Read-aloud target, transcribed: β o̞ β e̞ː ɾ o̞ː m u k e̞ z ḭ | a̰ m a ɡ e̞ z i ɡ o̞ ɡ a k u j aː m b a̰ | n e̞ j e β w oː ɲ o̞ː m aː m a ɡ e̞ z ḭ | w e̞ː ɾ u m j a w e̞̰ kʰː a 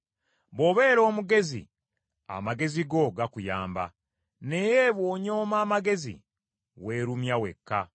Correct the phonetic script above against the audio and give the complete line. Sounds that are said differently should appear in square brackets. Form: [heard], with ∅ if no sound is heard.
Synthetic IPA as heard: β o̞ β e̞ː ɾ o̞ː m u [ɡ] e̞ z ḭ | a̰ m a ɡ e̞ z i ɡ o̞ ɡ a k u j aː m b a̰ | n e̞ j e β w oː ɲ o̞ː m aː m a ɡ e̞ z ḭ | w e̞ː ɾ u m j a w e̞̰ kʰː a